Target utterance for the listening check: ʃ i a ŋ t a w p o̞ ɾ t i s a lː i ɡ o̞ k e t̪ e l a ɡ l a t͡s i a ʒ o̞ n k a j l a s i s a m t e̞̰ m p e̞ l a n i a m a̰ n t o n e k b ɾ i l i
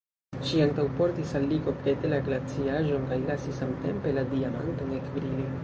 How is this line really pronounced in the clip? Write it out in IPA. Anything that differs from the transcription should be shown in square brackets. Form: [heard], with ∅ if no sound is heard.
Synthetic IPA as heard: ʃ i a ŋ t a w p o̞ ɾ t i s a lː i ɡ o̞ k e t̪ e l a ɡ l a t͡s i a ʒ o̞ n k a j l a s i s a m t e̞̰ m p e̞ l a [d] i a m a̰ n t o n e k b ɾ i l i

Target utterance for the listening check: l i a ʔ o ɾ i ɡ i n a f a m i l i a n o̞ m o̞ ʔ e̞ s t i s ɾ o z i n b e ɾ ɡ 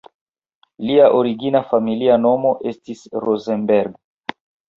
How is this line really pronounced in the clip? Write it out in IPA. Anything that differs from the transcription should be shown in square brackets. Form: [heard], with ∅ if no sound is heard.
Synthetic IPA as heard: l i a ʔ o ɾ i ɡ i n a f a m i l i a n o̞ m o̞ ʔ e̞ s t i s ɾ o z [e] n b e ɾ ɡ

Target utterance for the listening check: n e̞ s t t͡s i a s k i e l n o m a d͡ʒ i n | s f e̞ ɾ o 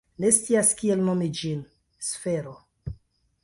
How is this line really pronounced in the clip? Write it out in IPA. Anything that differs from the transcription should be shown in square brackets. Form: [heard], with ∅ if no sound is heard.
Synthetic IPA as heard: n e̞ s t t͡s i a s k i e l n o m [i] d͡ʒ i n | s f e̞ ɾ o

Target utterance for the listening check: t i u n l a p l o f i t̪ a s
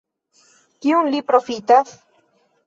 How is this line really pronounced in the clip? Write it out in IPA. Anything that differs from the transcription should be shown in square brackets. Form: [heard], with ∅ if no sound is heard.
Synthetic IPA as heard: [k] i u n l [i] p [ɾ] o f i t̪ a s

